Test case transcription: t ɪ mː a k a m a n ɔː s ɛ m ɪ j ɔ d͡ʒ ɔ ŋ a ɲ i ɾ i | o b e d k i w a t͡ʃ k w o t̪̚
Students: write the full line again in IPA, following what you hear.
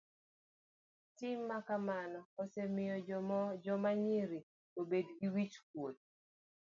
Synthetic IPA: t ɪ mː a k a m a n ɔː s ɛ m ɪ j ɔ d͡ʒ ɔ m a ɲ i ɾ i | o b e d ɡ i w i t͡ʃ k w o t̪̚